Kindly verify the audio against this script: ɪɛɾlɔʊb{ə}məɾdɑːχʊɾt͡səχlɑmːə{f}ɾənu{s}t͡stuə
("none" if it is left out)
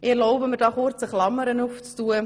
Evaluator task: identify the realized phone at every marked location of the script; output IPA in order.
ə, none, f

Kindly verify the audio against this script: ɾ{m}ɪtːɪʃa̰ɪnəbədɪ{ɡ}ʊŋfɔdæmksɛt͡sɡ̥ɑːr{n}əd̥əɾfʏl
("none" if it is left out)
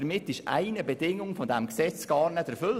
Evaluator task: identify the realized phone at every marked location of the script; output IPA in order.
m, ŋ, n

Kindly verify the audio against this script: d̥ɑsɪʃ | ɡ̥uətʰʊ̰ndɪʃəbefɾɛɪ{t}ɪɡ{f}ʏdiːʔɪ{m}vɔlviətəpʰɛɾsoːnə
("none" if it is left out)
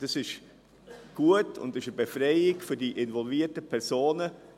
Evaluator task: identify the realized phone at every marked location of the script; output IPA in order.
none, f, n

